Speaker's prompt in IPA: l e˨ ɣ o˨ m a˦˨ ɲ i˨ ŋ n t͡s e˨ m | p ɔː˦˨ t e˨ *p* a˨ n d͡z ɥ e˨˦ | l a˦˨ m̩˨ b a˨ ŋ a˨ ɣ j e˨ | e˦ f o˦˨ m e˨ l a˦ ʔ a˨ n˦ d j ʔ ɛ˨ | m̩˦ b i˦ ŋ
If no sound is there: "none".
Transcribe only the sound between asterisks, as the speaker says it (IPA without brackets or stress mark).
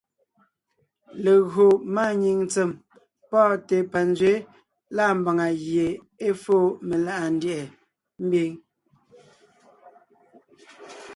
p